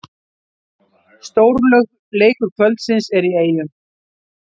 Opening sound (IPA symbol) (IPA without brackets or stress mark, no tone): s